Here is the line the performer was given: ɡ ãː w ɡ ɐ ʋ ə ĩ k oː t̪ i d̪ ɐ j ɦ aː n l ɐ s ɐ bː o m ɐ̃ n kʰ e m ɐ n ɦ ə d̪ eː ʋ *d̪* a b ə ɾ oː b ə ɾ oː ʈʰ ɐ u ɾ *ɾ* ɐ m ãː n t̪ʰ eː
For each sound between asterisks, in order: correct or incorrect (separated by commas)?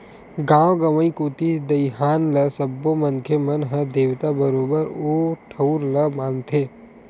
incorrect, incorrect